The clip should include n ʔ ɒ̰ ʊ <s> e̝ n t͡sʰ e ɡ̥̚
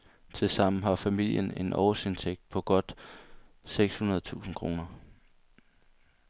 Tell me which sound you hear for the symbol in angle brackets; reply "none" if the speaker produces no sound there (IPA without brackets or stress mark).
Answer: s